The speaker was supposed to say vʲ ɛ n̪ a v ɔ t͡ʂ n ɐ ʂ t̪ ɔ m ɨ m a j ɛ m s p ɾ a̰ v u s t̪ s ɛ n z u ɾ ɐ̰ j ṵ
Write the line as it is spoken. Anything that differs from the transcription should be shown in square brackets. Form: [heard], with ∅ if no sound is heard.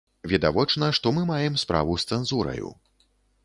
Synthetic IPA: vʲ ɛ [d̪] a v ɔ t͡ʂ n ɐ ʂ t̪ ɔ m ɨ m a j ɛ m s p ɾ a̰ v u s t̪ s ɛ n z u ɾ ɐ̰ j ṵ